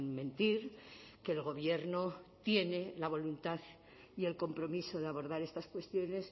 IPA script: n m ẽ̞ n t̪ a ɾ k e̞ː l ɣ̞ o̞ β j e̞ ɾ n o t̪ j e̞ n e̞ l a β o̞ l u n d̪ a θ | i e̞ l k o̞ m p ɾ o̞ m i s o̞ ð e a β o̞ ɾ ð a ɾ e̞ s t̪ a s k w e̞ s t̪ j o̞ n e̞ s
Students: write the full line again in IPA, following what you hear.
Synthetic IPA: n m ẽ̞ n t̪ i ɾ k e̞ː l ɣ̞ o̞ β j e̞ ɾ n o t̪ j e̞ n e̞ l a β o̞ l u n t̪ a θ | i e̞ l k o̞ m p ɾ o̞ m i s o̞ ð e a β o̞ ɾ ð a ɾ e̞ s t̪ a s k w e̞ s t̪ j o̞ n e̞ s